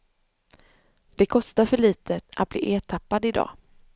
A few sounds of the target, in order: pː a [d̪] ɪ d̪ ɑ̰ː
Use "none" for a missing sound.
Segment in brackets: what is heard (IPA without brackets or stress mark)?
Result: d̪